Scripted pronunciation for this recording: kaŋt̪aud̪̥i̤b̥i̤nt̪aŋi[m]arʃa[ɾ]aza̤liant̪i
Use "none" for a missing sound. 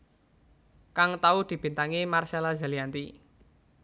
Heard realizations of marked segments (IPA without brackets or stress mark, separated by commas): m, l